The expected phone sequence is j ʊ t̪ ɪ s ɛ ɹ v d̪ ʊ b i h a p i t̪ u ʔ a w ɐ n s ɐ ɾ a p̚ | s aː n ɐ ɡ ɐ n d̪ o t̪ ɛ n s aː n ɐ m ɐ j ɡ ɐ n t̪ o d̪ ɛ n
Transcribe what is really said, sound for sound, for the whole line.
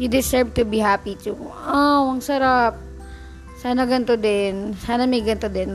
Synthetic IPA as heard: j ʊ d̪ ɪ s ɛ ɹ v t̪ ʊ b i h a p i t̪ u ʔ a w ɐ ŋ s ɐ ɾ a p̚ | s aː n ɐ ɡ ɐ n t̪ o d̪ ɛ n s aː n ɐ m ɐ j ɡ ɐ n t̪ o d̪ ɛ n